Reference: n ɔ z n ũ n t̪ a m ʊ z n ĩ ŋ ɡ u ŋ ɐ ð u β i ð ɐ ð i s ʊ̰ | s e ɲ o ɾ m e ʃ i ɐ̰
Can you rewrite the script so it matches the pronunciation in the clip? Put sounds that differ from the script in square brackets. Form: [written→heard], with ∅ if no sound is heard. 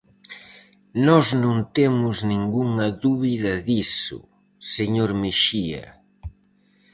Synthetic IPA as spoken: n ɔ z n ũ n t̪ [a→e] m ʊ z n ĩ ŋ ɡ u ŋ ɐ ð u β i ð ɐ ð i s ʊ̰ | s e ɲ o ɾ m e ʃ i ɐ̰